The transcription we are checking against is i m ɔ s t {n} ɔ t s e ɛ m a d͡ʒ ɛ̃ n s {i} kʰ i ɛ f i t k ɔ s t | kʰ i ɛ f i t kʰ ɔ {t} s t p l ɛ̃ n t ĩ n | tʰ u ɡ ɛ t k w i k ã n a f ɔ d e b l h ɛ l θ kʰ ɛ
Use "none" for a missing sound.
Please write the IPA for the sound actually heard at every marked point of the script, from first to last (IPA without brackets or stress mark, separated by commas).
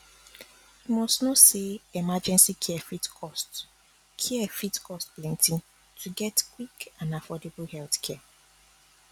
n, i, none